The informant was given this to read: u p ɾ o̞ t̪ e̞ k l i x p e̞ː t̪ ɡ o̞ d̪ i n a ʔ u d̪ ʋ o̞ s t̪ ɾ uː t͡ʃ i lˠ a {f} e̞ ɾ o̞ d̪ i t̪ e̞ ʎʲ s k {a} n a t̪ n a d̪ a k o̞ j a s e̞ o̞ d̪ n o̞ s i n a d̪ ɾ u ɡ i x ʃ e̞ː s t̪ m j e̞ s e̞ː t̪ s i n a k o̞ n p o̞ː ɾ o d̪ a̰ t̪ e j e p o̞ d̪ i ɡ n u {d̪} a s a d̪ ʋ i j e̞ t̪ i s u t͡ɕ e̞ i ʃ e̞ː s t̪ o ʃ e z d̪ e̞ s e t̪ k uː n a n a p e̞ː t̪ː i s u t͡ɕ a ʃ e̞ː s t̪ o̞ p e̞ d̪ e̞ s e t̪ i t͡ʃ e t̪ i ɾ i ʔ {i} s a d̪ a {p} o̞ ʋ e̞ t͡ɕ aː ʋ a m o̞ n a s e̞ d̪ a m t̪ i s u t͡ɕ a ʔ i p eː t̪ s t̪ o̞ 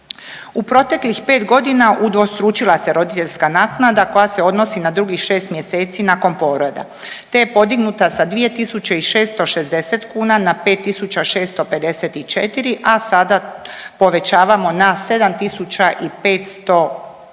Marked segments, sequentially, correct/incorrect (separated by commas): incorrect, correct, incorrect, incorrect, correct